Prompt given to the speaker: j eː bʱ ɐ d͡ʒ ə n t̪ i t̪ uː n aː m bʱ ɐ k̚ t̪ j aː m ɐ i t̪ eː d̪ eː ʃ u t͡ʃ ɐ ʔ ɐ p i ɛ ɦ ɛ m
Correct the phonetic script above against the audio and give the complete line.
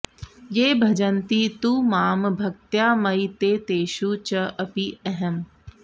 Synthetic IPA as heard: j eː bʱ ɐ d͡ʒ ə n t̪ i t̪ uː m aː m bʱ ɐ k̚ t̪ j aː m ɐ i t̪ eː t̪ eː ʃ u t͡ʃ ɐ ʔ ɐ p i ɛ ɦ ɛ m